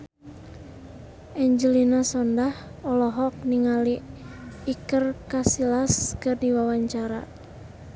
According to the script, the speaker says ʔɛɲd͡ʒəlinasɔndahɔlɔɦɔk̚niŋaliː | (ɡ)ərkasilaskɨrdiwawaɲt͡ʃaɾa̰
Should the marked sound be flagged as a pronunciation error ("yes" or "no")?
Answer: yes